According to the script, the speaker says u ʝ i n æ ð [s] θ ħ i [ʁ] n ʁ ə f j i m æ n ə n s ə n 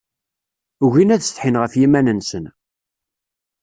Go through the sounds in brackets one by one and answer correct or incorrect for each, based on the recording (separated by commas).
correct, incorrect